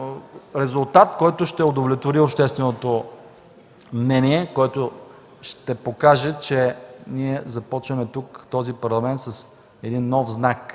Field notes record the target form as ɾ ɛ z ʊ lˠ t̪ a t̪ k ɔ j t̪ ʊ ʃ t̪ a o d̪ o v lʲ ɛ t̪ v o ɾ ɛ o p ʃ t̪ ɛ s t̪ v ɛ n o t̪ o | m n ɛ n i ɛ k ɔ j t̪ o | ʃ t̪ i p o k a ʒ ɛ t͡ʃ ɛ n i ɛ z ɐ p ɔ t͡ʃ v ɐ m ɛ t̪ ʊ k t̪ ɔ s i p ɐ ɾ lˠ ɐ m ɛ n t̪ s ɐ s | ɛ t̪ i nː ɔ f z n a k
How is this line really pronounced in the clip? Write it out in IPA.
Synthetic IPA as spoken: ɾ ɛ z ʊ lˠ t̪ a t̪ k ɔ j t̪ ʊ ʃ t̪ ɛ o d̪ o v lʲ ɛ t̪ v o ɾ i o p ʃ t̪ ɛ s t̪ v ɛ n o t̪ o | m n ɛ n i ɛ k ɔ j t̪ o | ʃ t̪ ɛ p o k a ʒ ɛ t͡ʃ ɛ n i ɛ z ɐ p ɔ t͡ʃ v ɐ m ɛ t̪ u k t̪ ɔ z i p ɐ ɾ lˠ ɐ m ɛ n t̪ s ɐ s | ɛ d̪ i nː ɔ f z n a k